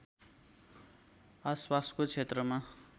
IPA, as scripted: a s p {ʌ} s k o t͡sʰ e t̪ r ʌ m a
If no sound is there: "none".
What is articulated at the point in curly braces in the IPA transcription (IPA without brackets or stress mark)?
a